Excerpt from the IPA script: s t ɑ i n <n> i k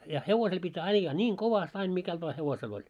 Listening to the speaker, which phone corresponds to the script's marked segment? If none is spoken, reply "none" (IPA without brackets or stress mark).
m